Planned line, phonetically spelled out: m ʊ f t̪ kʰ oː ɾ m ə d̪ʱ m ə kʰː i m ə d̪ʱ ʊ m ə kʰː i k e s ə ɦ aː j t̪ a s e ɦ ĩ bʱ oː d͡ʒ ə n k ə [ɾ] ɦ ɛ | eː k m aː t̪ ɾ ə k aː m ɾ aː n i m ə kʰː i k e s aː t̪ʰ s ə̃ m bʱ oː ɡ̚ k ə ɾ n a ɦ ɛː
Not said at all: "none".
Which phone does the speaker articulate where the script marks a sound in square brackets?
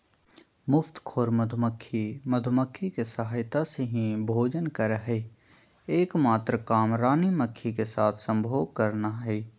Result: ɾ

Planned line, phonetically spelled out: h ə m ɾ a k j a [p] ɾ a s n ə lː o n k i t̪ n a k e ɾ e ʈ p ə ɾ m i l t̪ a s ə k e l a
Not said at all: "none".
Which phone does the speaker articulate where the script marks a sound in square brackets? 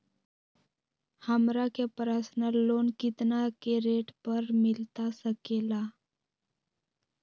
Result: p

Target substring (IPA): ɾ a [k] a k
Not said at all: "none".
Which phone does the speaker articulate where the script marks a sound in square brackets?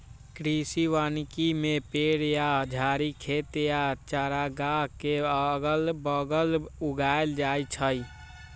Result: ɡ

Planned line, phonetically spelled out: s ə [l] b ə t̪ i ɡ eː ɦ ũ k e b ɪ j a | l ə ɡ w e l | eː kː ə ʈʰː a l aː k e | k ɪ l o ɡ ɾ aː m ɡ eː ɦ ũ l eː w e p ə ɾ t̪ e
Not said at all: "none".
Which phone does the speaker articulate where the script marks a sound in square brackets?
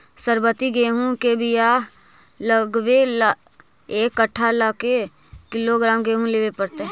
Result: ɾ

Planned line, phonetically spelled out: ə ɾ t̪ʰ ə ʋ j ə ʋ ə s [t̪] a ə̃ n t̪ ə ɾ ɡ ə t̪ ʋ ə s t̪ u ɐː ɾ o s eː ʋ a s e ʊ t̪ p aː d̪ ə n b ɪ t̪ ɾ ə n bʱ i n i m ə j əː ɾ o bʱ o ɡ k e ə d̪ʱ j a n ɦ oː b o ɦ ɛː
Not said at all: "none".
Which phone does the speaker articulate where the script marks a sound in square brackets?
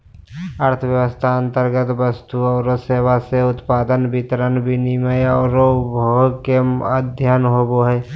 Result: t̪ʰ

